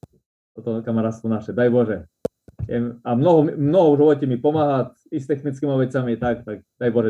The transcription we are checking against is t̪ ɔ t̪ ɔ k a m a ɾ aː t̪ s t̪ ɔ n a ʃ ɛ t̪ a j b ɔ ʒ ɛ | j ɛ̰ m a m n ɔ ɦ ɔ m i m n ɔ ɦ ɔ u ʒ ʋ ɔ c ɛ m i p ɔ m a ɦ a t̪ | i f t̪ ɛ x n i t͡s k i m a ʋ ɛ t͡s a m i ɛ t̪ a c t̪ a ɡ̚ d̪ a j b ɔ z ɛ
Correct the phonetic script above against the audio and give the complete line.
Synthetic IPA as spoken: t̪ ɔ t̪ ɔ k a m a ɾ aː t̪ s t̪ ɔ n a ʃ ɛ d̪ a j b ɔ ʒ ɛ | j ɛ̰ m a m n ɔ ɦ ɔ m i m n ɔ ɦ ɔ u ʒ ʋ ɔ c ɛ m i p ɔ m a ɦ a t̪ | i s t̪ ɛ x n i t͡s k i m a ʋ ɛ t͡s a m i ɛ t̪ a k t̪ a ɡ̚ d̪ a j b ɔ ʒ ɛ